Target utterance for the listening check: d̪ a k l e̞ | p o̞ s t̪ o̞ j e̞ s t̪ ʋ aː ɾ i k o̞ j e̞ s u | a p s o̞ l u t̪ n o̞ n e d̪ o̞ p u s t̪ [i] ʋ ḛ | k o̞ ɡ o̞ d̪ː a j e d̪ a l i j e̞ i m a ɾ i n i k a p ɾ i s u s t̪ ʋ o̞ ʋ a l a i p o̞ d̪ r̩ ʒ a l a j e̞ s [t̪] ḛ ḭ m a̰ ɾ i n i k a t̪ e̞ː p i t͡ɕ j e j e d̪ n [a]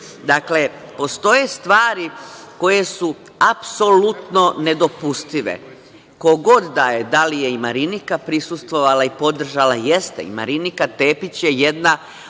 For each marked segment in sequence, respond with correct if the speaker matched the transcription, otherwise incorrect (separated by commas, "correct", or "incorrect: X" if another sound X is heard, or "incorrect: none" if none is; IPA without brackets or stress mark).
correct, correct, correct